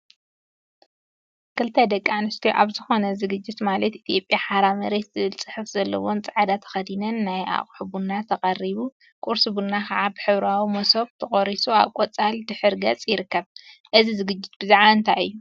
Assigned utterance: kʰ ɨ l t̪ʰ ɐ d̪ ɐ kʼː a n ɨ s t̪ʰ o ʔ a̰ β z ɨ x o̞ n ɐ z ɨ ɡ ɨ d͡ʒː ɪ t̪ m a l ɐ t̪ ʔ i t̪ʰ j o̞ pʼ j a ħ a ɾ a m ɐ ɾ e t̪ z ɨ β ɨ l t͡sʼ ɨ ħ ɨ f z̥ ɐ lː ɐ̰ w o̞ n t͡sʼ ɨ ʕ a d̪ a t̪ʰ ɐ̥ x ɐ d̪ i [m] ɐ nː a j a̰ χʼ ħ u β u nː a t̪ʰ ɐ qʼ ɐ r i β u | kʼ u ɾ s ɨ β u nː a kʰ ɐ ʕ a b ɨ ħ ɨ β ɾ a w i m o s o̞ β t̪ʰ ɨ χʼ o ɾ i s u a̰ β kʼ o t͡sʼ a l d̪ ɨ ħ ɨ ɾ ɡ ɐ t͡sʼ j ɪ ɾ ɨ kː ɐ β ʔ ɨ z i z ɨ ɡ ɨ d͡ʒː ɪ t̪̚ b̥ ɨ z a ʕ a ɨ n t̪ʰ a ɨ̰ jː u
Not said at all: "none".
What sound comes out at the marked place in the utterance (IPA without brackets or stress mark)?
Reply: n